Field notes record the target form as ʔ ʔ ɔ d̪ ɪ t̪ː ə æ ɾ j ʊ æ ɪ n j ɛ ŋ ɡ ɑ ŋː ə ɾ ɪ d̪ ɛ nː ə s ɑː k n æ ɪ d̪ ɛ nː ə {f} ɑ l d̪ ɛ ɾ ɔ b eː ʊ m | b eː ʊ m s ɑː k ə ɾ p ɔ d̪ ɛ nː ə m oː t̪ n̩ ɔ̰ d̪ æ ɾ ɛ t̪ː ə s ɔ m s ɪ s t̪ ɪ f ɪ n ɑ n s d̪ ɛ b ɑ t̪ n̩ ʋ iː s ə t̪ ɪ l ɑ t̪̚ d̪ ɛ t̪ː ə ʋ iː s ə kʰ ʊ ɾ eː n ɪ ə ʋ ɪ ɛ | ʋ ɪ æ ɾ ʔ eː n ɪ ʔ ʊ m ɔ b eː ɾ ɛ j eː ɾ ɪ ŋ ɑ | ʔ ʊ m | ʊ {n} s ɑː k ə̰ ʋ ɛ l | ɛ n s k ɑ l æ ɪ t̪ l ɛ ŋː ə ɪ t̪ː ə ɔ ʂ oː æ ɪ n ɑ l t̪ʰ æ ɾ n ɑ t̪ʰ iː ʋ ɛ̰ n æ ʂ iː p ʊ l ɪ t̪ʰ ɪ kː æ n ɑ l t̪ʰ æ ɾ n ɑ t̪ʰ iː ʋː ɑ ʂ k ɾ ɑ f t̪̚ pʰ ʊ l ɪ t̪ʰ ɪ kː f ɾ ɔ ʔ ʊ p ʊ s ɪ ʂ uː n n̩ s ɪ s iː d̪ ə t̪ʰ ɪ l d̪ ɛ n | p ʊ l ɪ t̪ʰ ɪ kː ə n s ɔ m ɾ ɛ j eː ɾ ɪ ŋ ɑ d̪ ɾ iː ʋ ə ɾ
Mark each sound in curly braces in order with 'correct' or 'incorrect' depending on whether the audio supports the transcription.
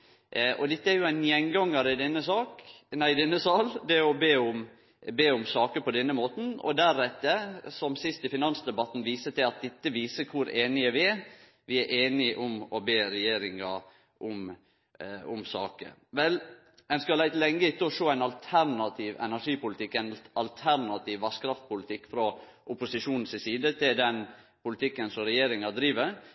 incorrect, incorrect

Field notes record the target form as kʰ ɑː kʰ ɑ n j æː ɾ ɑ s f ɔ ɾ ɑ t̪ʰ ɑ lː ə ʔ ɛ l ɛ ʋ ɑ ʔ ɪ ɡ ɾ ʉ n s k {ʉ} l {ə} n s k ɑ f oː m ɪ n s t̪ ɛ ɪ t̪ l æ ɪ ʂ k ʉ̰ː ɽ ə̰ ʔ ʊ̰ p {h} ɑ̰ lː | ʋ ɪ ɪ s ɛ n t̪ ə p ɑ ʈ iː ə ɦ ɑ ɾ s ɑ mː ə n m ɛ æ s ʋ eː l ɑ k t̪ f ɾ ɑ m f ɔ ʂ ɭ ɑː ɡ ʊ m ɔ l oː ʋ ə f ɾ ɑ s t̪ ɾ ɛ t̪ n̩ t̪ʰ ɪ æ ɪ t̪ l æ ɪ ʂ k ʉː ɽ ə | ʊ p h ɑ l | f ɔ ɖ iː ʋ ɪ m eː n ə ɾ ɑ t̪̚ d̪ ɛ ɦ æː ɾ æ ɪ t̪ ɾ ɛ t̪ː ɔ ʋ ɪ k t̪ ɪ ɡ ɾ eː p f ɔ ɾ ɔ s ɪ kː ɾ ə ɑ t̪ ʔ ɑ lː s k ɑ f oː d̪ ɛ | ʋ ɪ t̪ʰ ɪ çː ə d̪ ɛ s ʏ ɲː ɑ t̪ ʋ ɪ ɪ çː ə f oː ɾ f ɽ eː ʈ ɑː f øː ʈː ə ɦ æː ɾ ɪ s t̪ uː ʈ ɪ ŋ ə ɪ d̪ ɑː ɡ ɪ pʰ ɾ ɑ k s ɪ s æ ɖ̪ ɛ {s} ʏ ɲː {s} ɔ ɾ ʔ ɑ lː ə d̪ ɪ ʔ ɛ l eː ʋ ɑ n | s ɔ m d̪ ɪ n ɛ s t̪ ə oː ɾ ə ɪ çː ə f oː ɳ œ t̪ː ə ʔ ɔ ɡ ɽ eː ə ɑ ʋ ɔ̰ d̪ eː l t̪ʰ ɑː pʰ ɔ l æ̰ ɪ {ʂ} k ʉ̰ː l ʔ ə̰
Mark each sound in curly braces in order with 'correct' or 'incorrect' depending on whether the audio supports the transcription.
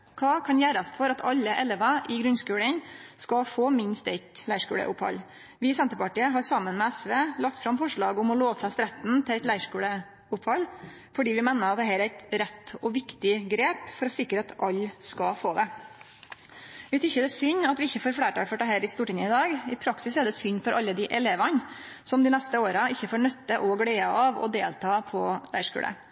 incorrect, correct, correct, correct, incorrect, correct

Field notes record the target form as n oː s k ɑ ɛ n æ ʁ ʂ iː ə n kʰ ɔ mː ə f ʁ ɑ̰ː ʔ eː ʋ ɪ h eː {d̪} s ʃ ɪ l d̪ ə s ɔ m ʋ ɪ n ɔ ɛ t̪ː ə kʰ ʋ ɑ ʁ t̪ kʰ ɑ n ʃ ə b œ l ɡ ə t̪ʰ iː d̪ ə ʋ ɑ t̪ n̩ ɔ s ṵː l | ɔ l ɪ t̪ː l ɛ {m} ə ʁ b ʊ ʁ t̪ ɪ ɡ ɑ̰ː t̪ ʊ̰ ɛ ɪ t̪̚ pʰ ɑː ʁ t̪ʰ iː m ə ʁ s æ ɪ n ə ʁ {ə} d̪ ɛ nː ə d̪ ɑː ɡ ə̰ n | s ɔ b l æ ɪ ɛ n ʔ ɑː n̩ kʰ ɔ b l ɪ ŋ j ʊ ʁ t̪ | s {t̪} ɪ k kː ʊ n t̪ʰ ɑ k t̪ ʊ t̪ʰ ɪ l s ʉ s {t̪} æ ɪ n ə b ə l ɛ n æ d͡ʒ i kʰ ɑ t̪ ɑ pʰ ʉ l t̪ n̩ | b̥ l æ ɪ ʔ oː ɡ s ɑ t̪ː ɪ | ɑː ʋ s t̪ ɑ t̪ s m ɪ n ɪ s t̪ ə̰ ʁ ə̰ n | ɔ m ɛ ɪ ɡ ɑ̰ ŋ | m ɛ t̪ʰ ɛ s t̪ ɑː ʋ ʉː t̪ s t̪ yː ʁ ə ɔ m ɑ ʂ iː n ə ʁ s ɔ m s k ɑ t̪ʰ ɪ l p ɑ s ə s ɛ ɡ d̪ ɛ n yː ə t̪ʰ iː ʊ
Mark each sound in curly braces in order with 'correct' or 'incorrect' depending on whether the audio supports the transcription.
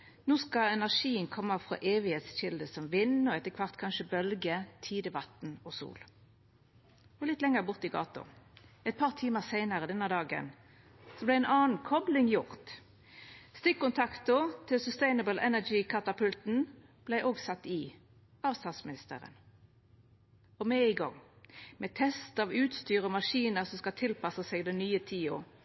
incorrect, incorrect, correct, correct, correct

